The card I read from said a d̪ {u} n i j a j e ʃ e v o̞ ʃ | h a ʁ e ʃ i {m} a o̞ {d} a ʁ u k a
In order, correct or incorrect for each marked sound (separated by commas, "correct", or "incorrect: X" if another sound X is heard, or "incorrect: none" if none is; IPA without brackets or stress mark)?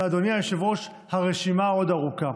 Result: incorrect: o, correct, correct